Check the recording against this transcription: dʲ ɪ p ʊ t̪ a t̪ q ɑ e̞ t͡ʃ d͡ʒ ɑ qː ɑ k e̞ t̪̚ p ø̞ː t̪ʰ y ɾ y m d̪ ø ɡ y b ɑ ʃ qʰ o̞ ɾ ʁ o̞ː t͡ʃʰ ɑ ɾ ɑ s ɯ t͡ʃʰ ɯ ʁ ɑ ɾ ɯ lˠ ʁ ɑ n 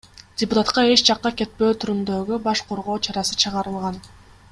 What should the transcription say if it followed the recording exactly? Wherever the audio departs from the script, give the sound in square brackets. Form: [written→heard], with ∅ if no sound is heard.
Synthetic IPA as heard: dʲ ɪ p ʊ t̪ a t̪ q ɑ e̞ t͡ʃ d͡ʒ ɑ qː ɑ k e̞ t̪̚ p ø̞ː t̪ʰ y ɾ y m d̪ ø ɡ y b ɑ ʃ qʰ o̞ ɾ ʁ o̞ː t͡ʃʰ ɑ ɾ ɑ s ɯ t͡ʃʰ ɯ ʁ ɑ ɾ ɯ lˠ ʁ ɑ n